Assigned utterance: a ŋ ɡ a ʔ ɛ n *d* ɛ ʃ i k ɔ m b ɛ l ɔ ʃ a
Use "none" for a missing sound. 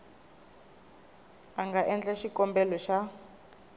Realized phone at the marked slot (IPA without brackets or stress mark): d͡ɮ